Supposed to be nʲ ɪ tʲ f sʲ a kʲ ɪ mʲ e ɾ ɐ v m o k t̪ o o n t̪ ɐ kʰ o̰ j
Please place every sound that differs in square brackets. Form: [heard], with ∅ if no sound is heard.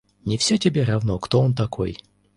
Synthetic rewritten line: nʲ ɪ [∅] f sʲ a [tʲ] ɪ [bʲ] e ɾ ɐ v [n] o k t̪ o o n t̪ ɐ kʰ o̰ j